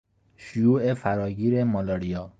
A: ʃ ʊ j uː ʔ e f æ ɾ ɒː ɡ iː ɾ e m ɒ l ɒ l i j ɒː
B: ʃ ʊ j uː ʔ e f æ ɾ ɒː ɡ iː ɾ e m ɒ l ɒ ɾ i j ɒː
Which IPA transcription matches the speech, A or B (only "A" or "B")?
B